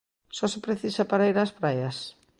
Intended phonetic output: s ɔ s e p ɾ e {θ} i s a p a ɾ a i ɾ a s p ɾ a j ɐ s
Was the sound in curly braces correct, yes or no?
yes